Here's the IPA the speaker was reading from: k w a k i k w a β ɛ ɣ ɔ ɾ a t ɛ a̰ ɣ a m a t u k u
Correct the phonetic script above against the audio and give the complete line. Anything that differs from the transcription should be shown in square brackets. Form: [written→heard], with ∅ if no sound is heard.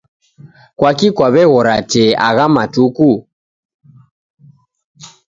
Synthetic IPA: k w a k i k w a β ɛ ɣ ɔ ɾ a t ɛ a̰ ɣ a m a t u k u